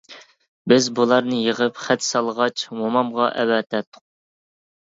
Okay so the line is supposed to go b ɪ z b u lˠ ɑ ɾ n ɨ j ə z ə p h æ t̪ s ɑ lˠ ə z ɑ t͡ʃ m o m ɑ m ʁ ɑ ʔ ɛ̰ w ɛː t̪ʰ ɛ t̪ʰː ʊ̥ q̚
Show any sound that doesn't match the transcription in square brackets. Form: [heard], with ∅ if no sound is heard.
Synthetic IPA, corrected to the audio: b ɪ z b u lˠ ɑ ɾ n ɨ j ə [ʁ] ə p [χ] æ t̪ s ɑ lˠ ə [ʁ] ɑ t͡ʃ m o m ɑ m ʁ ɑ ʔ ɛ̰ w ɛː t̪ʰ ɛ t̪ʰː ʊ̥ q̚